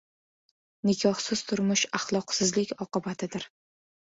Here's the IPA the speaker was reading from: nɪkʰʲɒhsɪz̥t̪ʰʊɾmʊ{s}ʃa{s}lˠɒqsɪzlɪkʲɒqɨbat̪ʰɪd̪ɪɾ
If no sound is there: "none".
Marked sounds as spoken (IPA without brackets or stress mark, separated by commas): none, χ